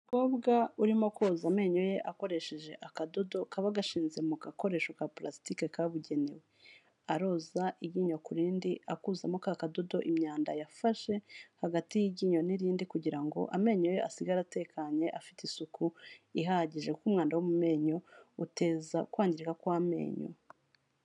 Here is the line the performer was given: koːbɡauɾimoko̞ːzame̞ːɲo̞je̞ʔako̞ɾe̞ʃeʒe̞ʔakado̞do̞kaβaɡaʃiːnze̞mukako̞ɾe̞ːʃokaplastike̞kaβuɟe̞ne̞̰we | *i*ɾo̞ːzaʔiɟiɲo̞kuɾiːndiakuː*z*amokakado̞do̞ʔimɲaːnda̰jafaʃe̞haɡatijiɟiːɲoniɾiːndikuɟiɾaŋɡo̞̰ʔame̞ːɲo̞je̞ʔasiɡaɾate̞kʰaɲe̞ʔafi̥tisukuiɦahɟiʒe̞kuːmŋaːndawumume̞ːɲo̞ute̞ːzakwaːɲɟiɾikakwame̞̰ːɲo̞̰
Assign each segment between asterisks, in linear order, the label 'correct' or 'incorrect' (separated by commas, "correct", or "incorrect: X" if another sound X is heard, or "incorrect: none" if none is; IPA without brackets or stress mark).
incorrect: a, correct